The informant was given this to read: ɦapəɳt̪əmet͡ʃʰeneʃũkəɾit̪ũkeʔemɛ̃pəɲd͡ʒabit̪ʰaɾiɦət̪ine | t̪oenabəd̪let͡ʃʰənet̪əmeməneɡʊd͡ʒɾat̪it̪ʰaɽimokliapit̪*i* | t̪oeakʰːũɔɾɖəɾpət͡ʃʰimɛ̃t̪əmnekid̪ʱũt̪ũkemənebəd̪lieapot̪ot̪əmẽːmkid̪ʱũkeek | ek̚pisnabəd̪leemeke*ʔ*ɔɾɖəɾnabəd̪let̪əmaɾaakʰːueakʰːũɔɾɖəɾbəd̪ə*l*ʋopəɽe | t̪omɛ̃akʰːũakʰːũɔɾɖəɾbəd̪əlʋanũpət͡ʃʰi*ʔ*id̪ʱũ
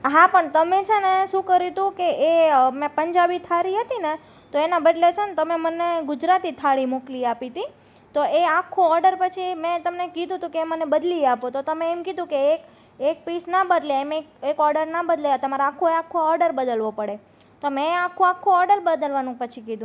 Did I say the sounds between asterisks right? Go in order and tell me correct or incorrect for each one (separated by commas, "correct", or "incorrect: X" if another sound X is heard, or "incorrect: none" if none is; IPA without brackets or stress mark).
correct, incorrect: k, correct, incorrect: k